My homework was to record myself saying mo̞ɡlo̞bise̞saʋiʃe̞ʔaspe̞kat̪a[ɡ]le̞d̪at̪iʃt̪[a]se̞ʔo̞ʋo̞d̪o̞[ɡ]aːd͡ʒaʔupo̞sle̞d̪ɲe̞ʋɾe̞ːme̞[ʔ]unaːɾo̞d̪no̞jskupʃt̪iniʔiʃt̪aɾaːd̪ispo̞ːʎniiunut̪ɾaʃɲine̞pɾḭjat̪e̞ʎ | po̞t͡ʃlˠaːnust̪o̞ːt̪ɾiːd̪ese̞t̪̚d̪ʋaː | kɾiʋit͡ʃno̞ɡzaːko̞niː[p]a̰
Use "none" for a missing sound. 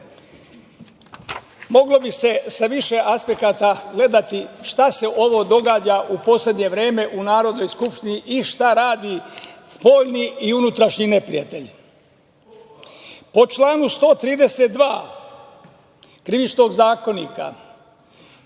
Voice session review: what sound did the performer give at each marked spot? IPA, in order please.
ɡ, a, ɡ, ʔ, k

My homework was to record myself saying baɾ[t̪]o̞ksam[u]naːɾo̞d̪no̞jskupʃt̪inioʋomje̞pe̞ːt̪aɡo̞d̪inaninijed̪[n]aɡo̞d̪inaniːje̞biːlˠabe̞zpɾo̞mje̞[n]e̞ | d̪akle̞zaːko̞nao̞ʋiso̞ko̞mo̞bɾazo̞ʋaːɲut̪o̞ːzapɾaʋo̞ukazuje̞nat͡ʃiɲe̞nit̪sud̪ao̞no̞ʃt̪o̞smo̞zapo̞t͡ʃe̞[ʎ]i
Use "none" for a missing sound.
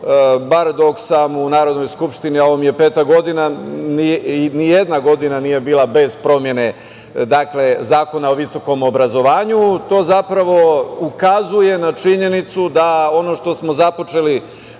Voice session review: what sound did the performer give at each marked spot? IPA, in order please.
d̪, u, n, n, l

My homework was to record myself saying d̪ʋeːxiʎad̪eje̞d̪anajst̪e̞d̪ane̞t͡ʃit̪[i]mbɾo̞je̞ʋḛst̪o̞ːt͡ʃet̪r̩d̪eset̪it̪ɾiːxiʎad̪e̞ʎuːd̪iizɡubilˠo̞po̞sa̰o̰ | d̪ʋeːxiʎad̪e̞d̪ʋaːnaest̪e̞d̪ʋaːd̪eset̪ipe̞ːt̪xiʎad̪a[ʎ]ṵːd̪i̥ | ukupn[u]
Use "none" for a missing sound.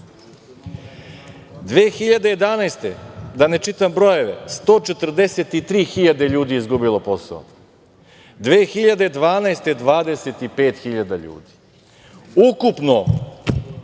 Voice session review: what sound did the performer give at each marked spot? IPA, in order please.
a, ʎ, o

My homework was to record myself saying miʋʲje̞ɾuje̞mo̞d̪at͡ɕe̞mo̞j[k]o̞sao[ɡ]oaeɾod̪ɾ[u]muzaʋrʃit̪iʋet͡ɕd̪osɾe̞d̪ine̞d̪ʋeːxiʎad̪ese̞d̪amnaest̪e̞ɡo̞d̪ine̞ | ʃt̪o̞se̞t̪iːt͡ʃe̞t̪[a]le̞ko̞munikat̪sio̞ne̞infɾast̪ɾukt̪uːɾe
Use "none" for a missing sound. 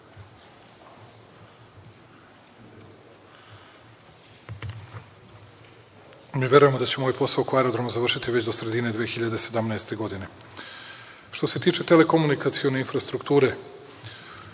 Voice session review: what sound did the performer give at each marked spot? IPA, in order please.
p, k, o, e

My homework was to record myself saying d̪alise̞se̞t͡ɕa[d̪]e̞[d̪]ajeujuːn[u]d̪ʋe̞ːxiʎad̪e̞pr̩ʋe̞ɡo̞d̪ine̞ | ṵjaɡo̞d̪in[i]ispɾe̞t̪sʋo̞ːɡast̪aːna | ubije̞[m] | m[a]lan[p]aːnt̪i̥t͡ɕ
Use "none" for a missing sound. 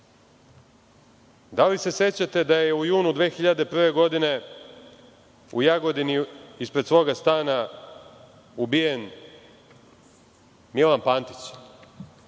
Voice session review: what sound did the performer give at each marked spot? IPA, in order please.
t̪, d̪, u, i, n, i, p

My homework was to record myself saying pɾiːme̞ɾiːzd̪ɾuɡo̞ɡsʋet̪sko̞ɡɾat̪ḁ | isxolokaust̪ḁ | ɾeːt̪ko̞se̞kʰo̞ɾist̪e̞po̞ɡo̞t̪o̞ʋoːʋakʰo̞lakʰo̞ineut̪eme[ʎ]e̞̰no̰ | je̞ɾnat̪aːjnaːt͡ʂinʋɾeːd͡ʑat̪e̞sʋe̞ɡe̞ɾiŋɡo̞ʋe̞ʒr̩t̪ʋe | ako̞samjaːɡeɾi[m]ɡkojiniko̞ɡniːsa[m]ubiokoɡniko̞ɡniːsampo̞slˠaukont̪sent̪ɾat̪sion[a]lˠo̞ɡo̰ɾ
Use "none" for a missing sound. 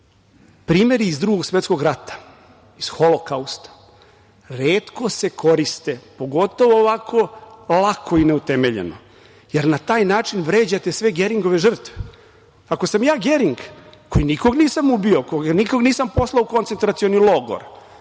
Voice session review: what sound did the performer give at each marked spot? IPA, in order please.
ʎ, ŋ, m, i

